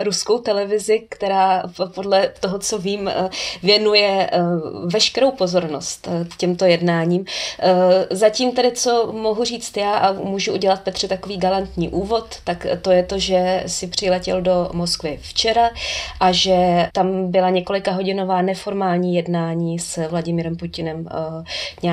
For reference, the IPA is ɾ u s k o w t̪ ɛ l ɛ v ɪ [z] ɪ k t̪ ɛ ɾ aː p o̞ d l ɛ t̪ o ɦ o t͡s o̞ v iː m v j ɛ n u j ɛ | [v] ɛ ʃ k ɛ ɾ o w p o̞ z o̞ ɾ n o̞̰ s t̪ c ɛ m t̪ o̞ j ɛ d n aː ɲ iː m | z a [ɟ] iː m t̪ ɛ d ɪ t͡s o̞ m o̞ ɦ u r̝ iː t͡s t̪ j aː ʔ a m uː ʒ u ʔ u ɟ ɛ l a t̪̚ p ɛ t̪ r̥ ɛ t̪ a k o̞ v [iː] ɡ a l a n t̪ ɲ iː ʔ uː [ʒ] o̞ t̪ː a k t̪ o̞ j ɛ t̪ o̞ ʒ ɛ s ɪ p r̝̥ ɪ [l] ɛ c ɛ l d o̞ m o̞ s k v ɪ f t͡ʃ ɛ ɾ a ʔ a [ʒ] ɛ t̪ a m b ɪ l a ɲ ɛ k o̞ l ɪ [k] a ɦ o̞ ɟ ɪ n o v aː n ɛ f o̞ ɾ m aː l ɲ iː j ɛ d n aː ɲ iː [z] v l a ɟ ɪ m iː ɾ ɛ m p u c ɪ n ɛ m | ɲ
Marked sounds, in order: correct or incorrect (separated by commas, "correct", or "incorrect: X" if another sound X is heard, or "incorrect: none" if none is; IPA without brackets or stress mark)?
correct, correct, incorrect: c, correct, incorrect: v, correct, correct, correct, incorrect: s